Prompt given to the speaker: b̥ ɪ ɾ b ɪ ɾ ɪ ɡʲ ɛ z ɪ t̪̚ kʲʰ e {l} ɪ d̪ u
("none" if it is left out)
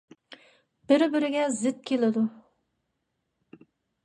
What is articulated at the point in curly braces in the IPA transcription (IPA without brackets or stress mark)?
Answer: l